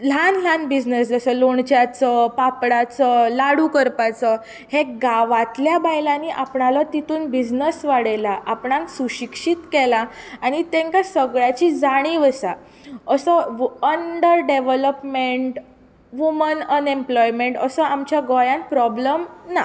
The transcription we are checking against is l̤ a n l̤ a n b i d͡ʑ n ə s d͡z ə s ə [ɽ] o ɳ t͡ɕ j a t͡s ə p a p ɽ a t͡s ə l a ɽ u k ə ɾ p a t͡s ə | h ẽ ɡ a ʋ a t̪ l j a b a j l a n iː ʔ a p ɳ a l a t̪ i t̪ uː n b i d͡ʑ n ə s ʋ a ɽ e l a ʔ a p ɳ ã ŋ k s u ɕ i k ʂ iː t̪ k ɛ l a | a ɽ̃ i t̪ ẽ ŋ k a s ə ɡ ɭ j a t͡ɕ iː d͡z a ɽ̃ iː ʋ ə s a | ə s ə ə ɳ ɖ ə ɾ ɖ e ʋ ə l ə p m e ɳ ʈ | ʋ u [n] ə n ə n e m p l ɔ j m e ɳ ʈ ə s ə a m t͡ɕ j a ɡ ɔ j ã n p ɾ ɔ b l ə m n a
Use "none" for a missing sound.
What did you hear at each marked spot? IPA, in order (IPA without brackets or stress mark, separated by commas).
l, m